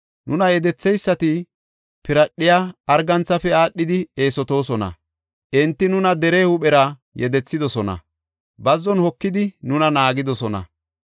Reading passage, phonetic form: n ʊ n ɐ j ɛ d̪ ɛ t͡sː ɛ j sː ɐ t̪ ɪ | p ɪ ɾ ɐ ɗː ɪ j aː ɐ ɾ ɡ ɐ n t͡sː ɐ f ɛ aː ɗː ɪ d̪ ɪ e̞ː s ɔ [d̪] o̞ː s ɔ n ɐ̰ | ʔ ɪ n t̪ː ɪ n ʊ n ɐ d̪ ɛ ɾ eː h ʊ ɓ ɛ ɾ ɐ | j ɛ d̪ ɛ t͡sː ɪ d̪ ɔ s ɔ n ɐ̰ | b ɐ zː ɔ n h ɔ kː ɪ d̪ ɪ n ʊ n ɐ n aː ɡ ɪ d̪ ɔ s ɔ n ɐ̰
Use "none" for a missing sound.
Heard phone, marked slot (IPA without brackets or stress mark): t̪